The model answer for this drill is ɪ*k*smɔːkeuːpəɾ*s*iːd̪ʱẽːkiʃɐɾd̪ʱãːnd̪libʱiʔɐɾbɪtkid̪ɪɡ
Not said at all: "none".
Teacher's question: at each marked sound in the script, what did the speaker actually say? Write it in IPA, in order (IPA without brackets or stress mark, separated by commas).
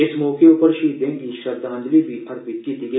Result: none, ʃ